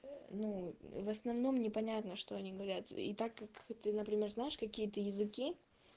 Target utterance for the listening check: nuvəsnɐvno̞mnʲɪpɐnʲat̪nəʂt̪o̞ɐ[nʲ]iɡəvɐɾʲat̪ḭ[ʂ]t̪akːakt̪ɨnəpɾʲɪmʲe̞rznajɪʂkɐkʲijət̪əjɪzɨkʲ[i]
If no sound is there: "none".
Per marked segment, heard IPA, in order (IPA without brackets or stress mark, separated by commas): nʲ, none, i